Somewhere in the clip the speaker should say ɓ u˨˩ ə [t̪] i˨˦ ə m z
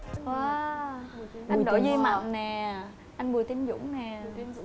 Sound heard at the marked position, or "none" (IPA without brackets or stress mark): t̪